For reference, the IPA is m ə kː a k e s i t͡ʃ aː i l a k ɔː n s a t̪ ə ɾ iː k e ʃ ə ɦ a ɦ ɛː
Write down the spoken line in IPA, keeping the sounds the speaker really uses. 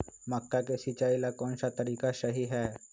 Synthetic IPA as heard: m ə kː a k e s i t͡ʃ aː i l a k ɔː n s a t̪ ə ɾ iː k a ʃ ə ɦ i ɦ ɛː